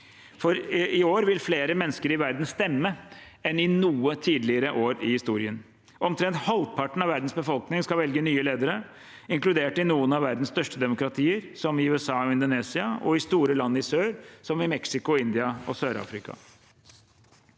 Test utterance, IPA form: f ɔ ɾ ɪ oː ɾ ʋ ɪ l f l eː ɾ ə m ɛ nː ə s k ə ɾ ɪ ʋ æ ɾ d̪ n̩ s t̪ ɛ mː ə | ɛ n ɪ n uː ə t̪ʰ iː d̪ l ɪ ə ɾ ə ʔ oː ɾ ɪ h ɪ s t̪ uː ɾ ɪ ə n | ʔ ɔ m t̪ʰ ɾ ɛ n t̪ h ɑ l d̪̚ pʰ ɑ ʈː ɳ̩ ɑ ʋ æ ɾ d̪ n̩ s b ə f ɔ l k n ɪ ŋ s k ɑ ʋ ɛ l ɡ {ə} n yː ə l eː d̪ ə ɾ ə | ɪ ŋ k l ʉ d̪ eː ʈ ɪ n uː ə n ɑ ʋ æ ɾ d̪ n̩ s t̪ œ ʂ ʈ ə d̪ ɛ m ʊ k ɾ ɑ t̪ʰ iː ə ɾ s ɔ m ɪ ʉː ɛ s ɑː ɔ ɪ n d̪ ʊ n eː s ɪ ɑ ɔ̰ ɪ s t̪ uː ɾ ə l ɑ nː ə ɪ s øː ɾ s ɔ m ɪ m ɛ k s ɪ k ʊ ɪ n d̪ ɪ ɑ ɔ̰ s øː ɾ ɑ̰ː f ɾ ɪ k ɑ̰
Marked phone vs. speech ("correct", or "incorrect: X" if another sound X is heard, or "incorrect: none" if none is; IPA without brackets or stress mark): correct